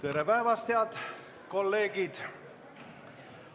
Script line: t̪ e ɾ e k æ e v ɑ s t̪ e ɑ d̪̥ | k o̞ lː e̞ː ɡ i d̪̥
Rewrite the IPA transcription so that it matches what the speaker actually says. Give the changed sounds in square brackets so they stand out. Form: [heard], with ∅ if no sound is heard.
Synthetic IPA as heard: t̪ e ɾ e [p] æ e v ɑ s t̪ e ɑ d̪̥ | k o̞ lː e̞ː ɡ i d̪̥